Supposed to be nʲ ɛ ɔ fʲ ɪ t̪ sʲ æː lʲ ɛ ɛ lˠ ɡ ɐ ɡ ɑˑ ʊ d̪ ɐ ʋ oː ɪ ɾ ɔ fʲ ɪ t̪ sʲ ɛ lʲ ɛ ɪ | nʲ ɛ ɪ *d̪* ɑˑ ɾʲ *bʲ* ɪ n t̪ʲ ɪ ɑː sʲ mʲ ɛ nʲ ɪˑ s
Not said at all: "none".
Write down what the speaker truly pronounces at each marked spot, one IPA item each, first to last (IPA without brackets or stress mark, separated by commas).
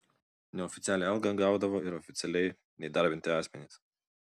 d̪, bʲ